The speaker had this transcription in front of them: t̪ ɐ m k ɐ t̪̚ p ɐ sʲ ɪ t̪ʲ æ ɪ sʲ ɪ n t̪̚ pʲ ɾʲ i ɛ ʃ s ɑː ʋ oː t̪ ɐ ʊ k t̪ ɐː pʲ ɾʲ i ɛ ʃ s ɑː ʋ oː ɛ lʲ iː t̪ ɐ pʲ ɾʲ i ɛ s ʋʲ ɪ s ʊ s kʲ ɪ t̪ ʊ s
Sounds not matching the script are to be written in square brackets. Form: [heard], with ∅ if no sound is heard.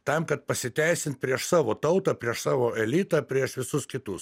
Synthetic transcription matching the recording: t̪ ɐ m k ɐ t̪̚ p ɐ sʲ ɪ t̪ʲ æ ɪ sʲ ɪ n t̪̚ pʲ ɾʲ i ɛ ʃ s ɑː ʋ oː t̪ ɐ ʊ [∅] t̪ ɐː pʲ ɾʲ i ɛ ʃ s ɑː ʋ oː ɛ lʲ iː t̪ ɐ pʲ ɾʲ i ɛ [ʃ] ʋʲ ɪ s ʊ s kʲ ɪ t̪ ʊ s